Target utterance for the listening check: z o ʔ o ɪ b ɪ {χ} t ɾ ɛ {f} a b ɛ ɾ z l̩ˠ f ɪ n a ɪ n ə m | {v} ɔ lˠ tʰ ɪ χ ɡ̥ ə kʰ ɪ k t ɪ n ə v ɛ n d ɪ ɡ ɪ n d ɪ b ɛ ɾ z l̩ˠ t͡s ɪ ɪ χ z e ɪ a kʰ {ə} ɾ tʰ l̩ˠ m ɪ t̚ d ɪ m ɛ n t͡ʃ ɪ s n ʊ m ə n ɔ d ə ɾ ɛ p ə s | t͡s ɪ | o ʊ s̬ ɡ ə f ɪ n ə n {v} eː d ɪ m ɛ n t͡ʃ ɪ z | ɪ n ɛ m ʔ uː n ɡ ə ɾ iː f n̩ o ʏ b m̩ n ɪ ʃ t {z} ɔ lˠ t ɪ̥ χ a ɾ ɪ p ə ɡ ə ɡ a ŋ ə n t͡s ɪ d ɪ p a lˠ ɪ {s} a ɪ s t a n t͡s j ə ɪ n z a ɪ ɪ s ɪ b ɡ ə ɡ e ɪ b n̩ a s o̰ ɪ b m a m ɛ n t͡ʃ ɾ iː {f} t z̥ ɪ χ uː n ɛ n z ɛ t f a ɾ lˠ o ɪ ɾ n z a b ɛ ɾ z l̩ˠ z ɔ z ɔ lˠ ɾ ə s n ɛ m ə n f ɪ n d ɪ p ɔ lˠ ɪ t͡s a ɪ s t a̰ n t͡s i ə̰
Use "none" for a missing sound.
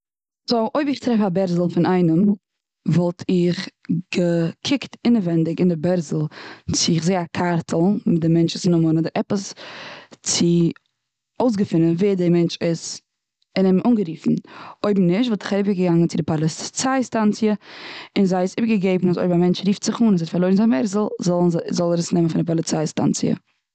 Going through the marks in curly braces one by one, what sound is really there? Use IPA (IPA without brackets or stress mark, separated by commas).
χ, f, v, a, v, v, t͡s, f